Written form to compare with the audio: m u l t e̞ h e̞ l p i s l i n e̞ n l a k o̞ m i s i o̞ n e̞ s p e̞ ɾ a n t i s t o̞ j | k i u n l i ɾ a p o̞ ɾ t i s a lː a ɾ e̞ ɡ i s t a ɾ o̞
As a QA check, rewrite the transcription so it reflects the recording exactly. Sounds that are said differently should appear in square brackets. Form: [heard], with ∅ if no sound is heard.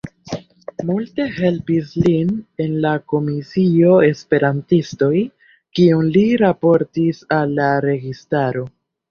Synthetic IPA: m u l t e̞ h e̞ l p i s l i n e̞ n l a k o̞ m i s i o̞ [∅] e̞ s p e̞ ɾ a n t i s t o̞ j | k i u n l i ɾ a p o̞ ɾ t i s a lː a ɾ e̞ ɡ i s t a ɾ o̞